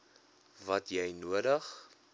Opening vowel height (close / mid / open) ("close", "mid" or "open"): open